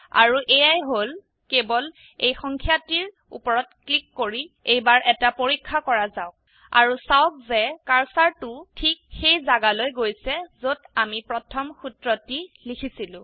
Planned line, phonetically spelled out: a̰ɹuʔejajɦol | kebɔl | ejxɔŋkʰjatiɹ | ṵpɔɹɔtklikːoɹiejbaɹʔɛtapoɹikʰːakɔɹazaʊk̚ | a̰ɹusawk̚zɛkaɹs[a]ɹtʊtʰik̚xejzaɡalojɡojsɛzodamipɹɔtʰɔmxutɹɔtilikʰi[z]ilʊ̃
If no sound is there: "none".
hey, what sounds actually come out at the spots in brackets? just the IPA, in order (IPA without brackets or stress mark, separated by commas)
a, s